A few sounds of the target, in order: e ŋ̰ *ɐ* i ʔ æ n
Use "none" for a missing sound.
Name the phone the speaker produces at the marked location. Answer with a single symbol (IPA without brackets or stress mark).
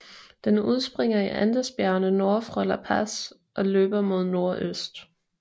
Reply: ɐ